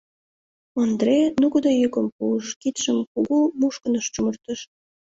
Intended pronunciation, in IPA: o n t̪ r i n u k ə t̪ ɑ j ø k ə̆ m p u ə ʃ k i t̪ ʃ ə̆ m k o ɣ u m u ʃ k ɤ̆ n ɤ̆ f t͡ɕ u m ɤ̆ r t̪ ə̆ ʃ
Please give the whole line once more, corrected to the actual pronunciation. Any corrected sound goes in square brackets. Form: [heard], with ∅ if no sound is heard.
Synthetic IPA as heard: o n [d̪] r [e] n u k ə [d̪] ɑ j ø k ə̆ m p u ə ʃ k i t̪ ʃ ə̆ m k [u] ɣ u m u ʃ k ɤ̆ n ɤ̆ [ʃ] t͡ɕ u m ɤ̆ r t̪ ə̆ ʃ